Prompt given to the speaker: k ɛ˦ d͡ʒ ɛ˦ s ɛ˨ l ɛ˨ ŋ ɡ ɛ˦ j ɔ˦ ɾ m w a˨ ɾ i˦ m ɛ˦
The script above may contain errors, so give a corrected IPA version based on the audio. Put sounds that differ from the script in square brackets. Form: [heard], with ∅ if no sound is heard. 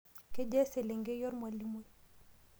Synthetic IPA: k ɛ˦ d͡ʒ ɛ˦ s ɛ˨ l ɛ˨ ŋ ɡ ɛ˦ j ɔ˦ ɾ m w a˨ [l] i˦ m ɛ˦